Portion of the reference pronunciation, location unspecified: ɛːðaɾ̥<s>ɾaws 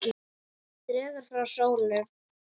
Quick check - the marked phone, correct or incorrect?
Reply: incorrect: f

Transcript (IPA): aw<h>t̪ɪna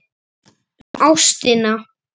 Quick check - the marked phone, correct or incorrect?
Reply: incorrect: s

